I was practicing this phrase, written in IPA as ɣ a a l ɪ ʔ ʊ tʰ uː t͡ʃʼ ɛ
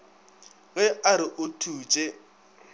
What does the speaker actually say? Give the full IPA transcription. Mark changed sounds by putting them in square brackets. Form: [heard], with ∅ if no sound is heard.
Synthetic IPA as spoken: ɣ [ɛ] a [ɾ] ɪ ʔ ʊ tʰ uː t͡ʃʼ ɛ